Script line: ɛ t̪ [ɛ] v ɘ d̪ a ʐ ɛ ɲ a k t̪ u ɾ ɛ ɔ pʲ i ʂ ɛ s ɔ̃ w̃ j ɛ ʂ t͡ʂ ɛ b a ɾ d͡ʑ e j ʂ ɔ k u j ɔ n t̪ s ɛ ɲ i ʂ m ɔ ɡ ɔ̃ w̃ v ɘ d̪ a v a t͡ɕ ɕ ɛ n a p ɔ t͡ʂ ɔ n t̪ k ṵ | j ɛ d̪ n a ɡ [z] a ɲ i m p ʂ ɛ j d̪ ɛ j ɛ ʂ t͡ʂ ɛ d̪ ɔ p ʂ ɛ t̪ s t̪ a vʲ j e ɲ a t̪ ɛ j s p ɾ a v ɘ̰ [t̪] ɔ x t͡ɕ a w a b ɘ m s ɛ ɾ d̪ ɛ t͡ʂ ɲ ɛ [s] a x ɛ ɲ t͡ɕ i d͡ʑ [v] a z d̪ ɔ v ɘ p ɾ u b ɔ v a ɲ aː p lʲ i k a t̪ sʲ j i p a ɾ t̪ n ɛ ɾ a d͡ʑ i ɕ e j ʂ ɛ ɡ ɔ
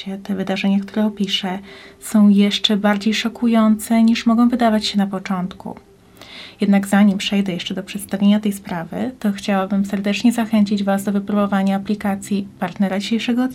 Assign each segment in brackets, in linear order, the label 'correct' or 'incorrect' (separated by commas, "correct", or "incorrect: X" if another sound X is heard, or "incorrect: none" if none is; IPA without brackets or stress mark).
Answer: correct, correct, correct, incorrect: z, correct